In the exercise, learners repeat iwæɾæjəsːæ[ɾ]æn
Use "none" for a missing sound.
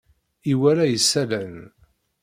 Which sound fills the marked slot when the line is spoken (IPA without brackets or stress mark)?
l